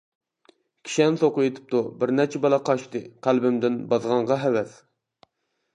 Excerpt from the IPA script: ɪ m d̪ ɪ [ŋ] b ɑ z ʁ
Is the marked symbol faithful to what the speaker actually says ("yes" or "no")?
no